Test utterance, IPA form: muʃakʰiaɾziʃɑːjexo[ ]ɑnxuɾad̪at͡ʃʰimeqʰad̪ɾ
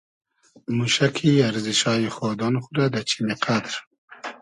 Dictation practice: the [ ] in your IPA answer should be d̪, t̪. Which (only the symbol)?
d̪